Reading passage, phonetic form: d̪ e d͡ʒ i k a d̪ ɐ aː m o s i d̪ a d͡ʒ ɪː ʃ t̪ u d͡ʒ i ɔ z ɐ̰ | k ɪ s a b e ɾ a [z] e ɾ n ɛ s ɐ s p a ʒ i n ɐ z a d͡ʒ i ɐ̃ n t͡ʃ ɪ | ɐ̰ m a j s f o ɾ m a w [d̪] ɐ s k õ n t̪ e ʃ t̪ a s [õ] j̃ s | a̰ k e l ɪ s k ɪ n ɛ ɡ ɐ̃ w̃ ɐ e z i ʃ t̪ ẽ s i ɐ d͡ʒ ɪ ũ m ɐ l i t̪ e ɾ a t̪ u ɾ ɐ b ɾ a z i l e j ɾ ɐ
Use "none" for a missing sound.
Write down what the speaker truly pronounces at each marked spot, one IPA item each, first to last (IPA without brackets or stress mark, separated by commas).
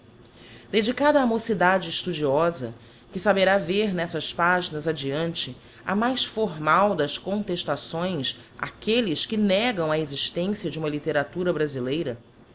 v, d̪, õ